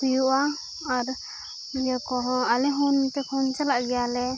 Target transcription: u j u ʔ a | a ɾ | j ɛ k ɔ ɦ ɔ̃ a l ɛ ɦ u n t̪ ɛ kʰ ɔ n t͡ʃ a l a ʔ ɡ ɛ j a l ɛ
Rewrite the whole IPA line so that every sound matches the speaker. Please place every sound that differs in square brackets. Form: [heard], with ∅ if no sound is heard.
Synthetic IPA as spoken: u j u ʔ a | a ɾ | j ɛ k ɔ ɦ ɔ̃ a l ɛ ɦ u n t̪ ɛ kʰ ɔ n t͡ʃ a l a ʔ ɡ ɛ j a l ɛ